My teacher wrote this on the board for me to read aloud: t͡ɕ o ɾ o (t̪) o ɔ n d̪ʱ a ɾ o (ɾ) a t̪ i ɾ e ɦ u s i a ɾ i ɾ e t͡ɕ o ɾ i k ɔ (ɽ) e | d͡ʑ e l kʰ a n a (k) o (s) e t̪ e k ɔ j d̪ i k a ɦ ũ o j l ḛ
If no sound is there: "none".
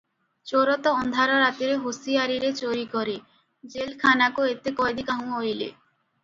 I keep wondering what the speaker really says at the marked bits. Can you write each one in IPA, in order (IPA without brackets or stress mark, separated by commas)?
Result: t̪, ɾ, ɾ, k, none